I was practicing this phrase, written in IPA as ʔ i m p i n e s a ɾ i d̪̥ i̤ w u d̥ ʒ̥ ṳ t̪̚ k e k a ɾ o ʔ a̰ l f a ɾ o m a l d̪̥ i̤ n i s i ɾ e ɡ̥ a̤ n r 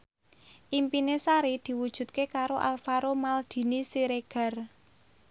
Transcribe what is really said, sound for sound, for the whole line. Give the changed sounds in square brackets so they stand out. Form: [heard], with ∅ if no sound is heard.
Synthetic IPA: ʔ i m p i n e s a ɾ i d̪̥ i̤ w u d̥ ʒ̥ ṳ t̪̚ k e k a ɾ o ʔ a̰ l f a ɾ o m a l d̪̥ i̤ n i s i ɾ e ɡ̥ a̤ [∅] r

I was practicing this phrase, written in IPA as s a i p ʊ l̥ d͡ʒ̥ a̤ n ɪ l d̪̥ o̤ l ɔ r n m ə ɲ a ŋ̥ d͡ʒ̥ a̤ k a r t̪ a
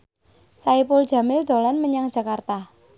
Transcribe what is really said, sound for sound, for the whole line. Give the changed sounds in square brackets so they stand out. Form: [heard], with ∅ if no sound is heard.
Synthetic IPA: s a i p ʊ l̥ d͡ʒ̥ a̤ [m] ɪ l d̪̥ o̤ l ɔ [∅] n m ə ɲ a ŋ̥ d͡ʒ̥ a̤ k a r t̪ a

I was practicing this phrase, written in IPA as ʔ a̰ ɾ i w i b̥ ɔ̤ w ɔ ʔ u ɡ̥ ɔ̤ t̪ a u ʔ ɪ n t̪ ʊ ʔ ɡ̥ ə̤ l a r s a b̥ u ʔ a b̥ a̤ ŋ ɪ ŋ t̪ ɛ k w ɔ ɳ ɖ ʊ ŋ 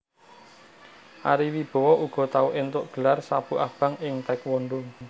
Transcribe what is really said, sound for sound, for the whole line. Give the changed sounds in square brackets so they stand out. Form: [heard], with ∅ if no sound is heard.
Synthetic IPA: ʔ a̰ ɾ i w i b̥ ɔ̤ w ɔ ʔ u ɡ̥ ɔ̤ t̪ a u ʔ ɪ n t̪ ʊ ʔ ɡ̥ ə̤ l a r s a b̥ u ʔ a b̥ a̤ ŋ ɪ ŋ t̪ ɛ k w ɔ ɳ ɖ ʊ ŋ

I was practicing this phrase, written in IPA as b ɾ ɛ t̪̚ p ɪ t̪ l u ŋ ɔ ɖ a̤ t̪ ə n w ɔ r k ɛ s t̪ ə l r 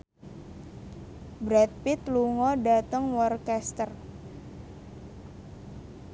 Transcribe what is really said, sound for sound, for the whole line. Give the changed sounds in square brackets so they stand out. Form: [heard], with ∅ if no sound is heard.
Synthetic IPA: b ɾ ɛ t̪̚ p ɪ t̪ l u ŋ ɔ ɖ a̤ t̪ ə [ŋ] w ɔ r k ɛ s t̪ ə [∅] r

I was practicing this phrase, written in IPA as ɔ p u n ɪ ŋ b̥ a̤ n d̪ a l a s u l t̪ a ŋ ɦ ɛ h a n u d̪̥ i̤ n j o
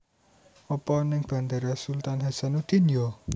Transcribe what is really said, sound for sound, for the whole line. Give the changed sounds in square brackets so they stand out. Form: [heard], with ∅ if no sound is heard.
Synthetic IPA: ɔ p [ɔ] n ɪ ŋ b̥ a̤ n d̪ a [ɾ] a s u l t̪ a [n] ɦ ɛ [s] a n u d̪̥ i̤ n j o

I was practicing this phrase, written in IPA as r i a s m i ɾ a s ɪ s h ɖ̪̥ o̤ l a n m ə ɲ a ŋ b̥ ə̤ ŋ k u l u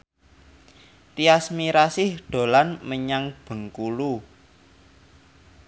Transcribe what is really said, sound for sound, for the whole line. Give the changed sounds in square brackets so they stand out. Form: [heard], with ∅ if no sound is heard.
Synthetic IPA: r i a s m i ɾ a s ɪ [∅] h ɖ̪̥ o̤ l a n m ə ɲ a ŋ b̥ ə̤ ŋ k u l u

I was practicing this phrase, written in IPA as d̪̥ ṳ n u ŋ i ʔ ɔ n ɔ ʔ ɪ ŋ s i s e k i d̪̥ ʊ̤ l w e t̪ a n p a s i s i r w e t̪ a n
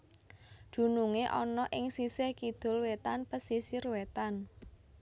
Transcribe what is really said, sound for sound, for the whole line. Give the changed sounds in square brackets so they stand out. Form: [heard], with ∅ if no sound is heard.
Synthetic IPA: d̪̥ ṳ n u ŋ [e] ʔ ɔ n ɔ ʔ ɪ ŋ s i s e k i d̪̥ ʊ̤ l w e t̪ a n p [ə] s i s i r w e t̪ a n

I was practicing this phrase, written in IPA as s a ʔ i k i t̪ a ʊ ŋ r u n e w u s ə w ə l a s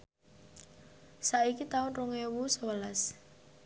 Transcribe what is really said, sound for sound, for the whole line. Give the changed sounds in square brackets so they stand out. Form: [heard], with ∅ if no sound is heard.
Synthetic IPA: s a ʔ i k i t̪ a ʊ [n] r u [ŋ] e w u s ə w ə l a s

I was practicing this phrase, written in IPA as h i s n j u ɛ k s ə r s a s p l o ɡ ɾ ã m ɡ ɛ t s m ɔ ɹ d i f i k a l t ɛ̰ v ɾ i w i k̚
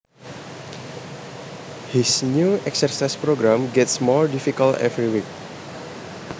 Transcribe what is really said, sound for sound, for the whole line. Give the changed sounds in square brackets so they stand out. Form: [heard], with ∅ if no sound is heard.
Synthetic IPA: h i s n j u ɛ k s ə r s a s p [ɾ] o ɡ ɾ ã m ɡ ɛ t s m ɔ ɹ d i f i k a l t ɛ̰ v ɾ i w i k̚

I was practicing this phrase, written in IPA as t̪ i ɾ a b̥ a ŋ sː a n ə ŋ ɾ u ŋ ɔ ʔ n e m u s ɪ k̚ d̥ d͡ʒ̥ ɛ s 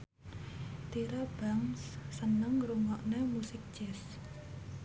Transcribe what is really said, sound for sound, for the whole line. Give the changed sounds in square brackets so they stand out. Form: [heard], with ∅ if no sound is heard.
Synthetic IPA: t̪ i ɾ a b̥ a ŋ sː [ə] n ə ŋ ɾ u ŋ ɔ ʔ n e m u s ɪ k̚ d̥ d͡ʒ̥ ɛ s

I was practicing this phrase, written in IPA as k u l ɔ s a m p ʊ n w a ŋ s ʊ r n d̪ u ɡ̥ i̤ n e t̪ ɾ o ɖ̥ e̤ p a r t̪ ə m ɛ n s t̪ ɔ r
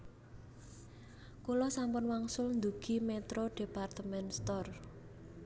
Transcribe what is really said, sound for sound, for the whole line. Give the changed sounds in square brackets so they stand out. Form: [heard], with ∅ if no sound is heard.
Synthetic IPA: k u l ɔ s a m p ʊ n w a ŋ s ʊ [l] n d̪ u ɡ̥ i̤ [m] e t̪ ɾ o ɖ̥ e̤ p a r t̪ ə m ɛ n s t̪ ɔ r

